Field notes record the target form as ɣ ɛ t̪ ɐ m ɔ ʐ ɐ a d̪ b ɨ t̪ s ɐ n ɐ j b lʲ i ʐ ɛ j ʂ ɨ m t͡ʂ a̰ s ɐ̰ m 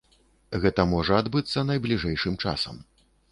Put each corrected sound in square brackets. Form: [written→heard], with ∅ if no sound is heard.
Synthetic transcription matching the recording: ɣ ɛ t̪ ɐ m ɔ ʐ ɐ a d̪ b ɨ t̪ [s→sː] ɐ n ɐ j b lʲ i ʐ ɛ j ʂ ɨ m t͡ʂ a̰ s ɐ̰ m